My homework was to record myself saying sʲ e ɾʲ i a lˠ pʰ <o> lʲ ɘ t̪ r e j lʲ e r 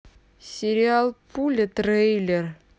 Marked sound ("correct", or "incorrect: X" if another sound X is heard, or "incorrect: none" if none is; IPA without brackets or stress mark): incorrect: u